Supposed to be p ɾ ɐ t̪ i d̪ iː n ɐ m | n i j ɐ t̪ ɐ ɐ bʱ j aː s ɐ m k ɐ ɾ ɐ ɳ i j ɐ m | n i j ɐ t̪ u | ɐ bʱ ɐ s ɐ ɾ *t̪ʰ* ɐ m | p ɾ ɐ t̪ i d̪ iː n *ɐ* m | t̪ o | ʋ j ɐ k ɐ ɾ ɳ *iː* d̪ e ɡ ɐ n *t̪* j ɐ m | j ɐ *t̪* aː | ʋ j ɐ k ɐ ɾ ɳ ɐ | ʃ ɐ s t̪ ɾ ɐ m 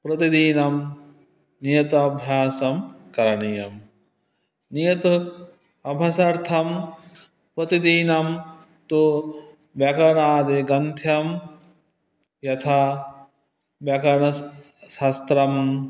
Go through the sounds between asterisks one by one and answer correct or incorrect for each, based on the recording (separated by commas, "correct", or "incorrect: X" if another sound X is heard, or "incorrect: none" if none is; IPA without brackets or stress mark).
correct, correct, incorrect: aː, incorrect: t̪ʰ, incorrect: t̪ʰ